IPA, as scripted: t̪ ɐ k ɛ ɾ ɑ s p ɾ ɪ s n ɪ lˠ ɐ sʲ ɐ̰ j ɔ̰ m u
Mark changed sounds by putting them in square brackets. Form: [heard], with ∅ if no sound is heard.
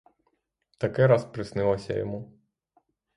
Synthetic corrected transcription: t̪ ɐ k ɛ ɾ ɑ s p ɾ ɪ s n ɪ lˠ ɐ sʲ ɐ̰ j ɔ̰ m u